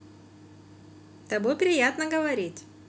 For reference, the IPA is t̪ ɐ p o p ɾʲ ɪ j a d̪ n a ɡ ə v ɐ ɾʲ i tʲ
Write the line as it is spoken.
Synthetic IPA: t̪ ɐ b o p ɾʲ ɪ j a t̪ n ə ɡ ə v ɐ ɾʲ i tʲ